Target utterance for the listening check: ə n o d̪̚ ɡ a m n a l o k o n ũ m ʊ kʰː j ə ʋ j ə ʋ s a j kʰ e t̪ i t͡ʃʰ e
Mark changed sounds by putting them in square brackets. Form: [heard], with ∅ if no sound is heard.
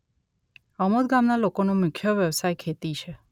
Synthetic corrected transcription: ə [m] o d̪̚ ɡ a m n a l o k o n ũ m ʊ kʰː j ə ʋ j ə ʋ s a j kʰ e t̪ i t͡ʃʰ e